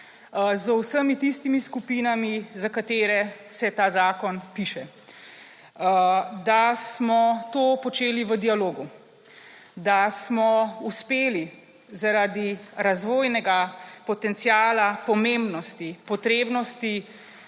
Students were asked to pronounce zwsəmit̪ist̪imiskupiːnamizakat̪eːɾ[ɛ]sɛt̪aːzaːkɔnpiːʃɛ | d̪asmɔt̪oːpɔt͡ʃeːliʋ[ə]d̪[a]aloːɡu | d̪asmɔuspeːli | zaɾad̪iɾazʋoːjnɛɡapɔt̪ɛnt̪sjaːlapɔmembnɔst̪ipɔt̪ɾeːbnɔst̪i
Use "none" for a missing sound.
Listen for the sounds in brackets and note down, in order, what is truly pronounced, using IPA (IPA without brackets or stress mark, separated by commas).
ɛ, ə, i